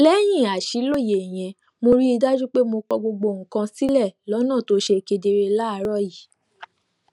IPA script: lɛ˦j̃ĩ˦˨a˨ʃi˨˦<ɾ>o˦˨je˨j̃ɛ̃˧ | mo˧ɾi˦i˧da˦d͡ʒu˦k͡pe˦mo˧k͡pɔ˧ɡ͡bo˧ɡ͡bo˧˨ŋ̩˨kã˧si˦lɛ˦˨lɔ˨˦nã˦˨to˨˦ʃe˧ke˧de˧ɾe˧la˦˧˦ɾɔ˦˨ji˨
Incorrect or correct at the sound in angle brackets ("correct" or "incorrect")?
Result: incorrect